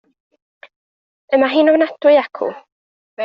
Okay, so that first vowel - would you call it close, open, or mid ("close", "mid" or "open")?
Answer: mid